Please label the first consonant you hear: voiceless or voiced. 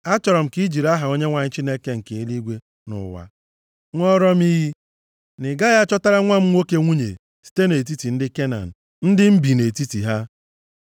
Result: voiceless